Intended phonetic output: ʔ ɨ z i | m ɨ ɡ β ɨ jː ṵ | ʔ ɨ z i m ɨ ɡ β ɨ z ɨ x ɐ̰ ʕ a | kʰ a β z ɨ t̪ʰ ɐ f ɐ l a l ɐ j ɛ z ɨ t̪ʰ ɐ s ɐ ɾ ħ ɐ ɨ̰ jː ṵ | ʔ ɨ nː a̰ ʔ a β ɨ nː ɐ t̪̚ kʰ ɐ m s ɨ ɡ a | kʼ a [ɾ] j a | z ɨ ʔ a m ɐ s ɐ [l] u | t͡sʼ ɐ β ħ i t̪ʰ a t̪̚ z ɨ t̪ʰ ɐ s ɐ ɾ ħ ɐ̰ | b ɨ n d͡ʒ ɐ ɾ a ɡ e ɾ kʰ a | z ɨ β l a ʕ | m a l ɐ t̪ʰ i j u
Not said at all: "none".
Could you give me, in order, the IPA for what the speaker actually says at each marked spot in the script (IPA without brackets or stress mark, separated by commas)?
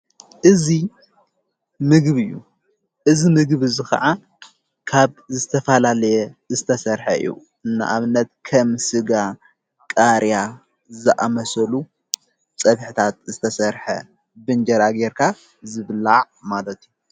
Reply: ɾ, l